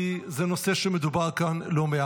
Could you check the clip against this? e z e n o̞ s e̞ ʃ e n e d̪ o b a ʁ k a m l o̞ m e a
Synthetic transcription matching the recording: i z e n o̞ s e̞ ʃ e m e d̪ u b a ʁ k a n l o̞ m e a